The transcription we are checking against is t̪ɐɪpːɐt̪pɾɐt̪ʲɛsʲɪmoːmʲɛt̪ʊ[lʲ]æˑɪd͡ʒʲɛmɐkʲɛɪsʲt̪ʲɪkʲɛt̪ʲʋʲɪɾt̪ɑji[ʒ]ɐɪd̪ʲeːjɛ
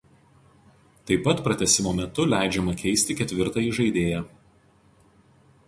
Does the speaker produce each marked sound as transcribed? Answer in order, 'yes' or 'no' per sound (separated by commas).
yes, yes